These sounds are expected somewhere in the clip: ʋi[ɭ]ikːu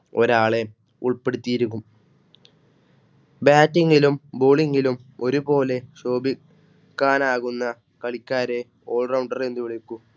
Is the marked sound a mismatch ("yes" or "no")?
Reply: no